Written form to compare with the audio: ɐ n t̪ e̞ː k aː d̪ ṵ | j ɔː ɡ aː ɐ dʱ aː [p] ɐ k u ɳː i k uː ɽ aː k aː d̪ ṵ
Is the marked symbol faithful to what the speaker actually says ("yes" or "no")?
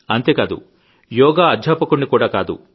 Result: yes